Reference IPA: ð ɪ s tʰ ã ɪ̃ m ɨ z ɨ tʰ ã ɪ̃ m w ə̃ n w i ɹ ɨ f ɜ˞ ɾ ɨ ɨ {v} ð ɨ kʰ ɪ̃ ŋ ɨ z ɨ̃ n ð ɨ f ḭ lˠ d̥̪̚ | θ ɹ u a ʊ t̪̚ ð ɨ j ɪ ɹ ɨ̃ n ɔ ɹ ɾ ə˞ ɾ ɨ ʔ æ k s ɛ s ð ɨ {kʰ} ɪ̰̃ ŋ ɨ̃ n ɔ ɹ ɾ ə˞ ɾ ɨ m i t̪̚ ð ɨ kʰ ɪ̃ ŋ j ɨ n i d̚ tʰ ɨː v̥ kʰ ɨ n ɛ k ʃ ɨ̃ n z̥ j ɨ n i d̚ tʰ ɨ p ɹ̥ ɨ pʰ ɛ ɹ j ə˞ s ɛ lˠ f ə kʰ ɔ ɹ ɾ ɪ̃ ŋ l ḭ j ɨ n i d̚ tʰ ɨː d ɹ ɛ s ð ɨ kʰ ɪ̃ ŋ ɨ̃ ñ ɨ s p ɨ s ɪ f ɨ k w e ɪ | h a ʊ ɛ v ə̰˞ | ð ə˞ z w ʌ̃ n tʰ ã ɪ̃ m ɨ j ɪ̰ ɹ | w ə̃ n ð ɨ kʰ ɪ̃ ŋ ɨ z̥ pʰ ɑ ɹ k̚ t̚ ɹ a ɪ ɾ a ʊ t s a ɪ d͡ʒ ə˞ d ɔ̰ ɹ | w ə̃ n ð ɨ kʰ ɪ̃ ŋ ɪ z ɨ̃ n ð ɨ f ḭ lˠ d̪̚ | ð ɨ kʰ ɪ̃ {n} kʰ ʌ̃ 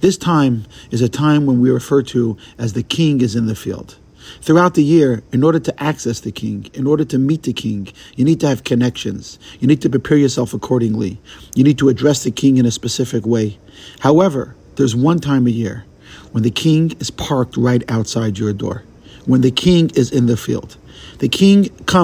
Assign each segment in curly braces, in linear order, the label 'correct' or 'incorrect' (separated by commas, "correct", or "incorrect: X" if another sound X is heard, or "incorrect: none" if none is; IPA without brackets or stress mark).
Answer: incorrect: z, correct, incorrect: ŋ